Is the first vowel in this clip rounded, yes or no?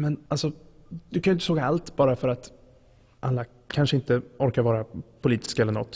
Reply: no